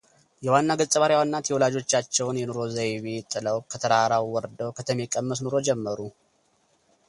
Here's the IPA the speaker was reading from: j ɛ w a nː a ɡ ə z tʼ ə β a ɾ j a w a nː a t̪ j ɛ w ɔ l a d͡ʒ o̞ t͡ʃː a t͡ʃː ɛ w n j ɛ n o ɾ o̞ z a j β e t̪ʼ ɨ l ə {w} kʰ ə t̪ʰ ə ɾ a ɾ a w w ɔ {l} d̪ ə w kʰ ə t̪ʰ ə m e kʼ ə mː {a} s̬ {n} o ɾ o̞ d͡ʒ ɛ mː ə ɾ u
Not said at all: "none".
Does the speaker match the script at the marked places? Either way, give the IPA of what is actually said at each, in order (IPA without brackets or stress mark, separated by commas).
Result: w, ɾ, ə, n